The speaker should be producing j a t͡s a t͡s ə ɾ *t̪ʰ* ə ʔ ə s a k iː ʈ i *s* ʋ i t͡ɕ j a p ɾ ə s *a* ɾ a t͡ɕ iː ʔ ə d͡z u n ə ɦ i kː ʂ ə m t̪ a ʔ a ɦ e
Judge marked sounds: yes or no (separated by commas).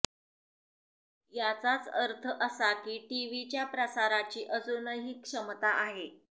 yes, no, yes